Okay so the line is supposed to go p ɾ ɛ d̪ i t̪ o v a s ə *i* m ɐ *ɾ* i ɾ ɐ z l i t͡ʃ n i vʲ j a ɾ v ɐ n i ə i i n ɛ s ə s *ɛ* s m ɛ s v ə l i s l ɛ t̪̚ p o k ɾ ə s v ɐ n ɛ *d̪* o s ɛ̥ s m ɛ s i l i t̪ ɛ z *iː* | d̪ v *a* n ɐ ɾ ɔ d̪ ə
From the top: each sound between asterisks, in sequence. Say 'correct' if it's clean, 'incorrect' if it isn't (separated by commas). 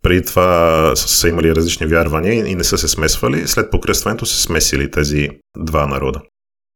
correct, incorrect, correct, incorrect, incorrect, correct